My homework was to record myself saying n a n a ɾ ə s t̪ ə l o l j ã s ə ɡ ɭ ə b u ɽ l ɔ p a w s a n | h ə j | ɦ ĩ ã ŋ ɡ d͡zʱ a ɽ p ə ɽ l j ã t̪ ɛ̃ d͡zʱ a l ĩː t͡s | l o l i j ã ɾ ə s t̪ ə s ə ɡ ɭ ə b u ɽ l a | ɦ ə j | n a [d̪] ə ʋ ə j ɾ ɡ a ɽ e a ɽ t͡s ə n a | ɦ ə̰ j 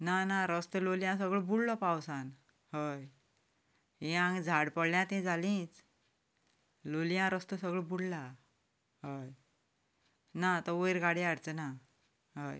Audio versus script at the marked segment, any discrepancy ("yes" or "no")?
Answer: yes